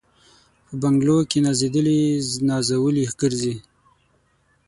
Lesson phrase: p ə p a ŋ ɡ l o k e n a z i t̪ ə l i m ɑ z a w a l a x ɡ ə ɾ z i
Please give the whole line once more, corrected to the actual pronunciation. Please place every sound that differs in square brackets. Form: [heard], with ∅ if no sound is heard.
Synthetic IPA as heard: p ə [b] a ŋ ɡ l o k e n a z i [d̪] ə l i [n] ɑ z a w [ə] l [i] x ɡ ə ɾ z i